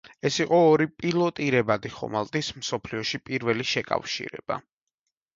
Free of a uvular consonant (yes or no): no